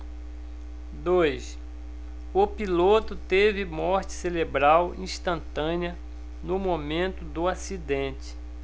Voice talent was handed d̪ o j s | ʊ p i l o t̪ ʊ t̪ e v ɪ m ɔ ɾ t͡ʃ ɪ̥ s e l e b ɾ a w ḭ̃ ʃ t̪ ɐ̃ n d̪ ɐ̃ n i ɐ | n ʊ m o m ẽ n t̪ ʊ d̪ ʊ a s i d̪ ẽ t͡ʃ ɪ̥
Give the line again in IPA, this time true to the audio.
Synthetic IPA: d̪ o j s | ʊ p i l o t̪ ʊ t̪ e v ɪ m ɔ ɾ t͡ʃ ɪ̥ s e l e b ɾ a w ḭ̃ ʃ t̪ ɐ̃ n t̪ ɐ̃ n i ɐ | n ʊ m o m ẽ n t̪ ʊ d̪ ʊ a s i d̪ ẽ t͡ʃ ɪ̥